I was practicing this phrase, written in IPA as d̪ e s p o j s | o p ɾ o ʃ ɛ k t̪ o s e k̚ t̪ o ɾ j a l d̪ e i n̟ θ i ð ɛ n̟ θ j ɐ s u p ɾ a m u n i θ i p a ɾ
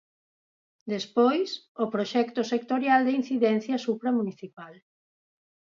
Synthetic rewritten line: d̪ e s p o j s | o p ɾ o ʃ ɛ k t̪ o s e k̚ t̪ o ɾ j a l d̪ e i n̟ θ i ð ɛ n̟ θ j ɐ s u p ɾ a m u n i θ i p a l